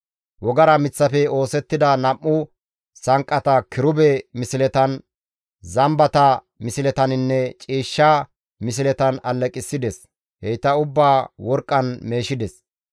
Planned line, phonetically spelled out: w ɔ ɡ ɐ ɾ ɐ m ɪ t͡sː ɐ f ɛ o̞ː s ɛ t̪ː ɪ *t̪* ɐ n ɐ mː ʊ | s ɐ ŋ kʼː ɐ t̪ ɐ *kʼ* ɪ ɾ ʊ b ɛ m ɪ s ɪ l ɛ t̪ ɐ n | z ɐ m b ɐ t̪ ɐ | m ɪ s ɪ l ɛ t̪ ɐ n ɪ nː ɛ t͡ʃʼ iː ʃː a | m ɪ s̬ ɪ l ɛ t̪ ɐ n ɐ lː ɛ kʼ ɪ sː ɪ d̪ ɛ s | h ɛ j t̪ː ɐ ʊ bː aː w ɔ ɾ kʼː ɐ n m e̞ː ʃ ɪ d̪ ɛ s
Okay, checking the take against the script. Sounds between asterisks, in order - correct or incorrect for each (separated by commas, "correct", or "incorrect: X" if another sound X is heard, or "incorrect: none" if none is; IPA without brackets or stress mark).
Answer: incorrect: d̪, incorrect: k